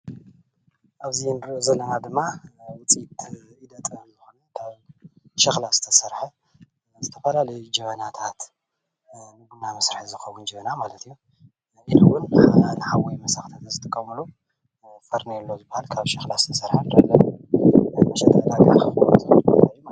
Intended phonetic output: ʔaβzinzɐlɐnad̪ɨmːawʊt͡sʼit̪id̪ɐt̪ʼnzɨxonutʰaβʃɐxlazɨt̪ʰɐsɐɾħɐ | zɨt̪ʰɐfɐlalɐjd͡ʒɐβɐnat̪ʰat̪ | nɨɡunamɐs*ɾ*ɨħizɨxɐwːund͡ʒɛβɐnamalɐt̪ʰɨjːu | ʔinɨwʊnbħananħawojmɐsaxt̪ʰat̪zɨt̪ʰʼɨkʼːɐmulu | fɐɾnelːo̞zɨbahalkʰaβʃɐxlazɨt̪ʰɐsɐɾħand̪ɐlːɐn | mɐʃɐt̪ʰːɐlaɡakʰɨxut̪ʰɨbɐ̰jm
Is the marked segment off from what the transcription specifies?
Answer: no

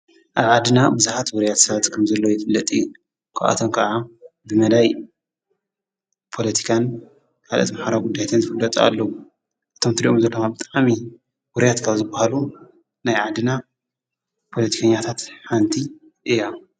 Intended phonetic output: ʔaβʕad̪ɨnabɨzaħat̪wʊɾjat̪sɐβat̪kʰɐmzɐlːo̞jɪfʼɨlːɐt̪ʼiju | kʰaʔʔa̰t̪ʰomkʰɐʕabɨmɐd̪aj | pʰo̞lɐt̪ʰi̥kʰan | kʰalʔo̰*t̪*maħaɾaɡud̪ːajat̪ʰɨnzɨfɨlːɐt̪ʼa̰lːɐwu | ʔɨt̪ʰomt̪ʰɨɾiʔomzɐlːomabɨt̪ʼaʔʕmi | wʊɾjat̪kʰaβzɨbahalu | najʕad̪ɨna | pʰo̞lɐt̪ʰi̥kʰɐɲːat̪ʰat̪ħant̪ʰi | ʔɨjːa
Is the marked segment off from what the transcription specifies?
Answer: no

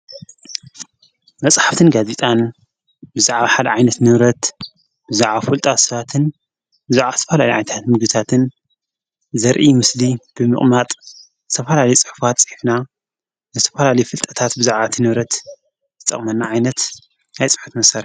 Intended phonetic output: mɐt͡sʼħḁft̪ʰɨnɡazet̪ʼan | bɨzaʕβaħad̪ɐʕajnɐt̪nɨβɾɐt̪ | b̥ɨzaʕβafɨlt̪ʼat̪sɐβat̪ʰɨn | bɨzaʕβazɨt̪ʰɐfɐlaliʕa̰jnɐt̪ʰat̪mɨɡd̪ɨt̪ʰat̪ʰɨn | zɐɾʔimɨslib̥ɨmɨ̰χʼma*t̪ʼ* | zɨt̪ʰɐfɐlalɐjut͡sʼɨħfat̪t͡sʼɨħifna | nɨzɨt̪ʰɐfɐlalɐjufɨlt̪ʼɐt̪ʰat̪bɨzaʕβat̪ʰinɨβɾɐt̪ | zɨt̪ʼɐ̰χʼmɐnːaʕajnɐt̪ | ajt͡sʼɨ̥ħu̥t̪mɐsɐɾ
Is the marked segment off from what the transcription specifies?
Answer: no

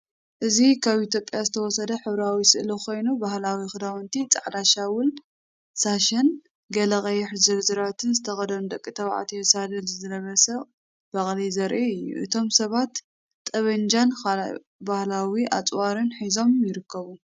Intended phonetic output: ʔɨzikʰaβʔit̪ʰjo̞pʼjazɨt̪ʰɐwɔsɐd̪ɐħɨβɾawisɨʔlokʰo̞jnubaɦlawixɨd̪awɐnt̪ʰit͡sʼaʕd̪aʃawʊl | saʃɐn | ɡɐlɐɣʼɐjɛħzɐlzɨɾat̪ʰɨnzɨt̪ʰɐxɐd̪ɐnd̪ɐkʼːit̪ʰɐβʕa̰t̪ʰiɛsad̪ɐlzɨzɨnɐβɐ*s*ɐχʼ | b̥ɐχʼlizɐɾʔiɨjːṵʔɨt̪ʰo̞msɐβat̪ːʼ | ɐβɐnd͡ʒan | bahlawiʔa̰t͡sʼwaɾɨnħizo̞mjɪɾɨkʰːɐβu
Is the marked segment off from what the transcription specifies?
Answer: no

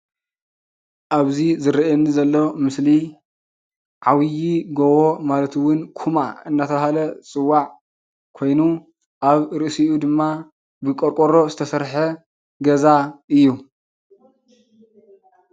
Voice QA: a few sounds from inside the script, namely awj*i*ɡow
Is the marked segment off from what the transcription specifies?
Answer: no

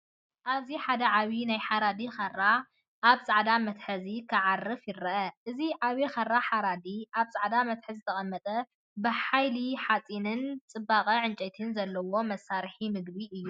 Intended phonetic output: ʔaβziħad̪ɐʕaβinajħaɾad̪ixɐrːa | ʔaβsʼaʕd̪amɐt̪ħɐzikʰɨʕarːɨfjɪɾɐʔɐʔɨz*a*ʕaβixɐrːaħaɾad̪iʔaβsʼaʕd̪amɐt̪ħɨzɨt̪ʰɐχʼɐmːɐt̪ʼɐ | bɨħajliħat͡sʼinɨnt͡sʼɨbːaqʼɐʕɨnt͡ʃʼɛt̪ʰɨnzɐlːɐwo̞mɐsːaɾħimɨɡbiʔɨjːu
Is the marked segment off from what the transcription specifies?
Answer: yes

